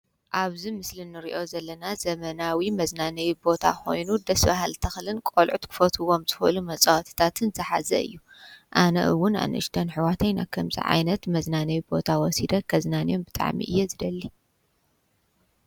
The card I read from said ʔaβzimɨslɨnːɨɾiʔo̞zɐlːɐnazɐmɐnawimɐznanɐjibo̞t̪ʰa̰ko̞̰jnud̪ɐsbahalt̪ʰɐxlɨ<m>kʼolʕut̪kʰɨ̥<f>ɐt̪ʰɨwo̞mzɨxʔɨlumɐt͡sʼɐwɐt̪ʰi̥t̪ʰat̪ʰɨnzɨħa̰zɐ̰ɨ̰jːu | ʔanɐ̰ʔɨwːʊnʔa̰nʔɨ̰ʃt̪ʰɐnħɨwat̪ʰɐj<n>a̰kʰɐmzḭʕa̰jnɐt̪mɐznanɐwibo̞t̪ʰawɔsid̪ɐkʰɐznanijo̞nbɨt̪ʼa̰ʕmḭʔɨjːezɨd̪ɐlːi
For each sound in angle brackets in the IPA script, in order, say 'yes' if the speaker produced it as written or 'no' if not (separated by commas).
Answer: no, yes, yes